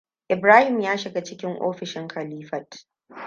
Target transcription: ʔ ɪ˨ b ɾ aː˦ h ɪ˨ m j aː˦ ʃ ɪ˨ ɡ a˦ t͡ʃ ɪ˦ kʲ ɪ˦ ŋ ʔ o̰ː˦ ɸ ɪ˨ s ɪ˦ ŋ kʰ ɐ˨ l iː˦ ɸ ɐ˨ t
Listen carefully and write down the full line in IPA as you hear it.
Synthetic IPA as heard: ʔ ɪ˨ b ɾ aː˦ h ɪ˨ m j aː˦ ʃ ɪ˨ ɡ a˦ t͡ʃ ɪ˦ kʲ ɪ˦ ŋ ʔ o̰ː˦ ɸ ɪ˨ ʃ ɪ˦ ŋ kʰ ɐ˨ l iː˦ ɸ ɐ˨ t